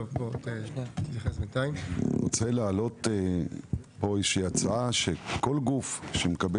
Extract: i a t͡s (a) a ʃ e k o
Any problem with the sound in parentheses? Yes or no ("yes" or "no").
no